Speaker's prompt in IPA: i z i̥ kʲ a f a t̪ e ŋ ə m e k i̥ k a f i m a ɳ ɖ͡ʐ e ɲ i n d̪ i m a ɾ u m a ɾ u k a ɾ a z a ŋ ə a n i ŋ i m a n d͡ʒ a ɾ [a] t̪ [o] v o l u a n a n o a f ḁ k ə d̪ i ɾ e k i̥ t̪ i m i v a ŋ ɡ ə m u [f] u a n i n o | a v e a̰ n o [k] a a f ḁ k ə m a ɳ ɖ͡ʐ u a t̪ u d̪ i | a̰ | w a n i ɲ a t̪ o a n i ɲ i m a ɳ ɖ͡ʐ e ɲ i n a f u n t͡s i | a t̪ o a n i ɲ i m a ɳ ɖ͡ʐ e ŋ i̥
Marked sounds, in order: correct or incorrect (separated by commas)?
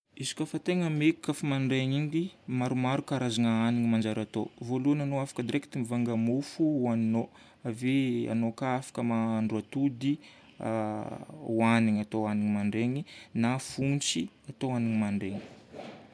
correct, correct, correct, correct